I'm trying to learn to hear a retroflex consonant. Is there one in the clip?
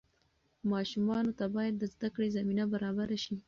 yes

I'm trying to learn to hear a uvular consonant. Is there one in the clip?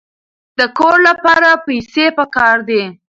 no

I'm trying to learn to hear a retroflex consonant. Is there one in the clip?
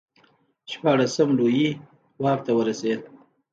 yes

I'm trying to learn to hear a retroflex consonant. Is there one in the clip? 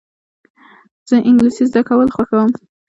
no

